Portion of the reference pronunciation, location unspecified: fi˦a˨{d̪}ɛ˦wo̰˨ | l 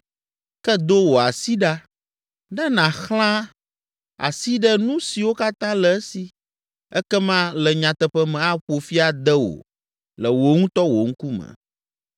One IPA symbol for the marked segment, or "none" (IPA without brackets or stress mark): d̪